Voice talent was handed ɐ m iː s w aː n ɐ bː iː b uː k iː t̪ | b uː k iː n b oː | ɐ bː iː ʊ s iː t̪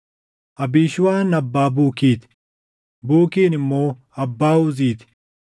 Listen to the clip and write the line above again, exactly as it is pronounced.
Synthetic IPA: ɐ b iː ʃ w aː n ɐ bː aː b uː k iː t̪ | b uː k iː n m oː | ɐ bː aː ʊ z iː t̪